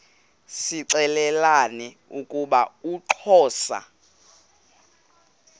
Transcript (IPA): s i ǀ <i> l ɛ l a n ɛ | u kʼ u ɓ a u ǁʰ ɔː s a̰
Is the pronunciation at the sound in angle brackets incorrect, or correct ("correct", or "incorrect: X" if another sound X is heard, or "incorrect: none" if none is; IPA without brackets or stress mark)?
incorrect: ɛ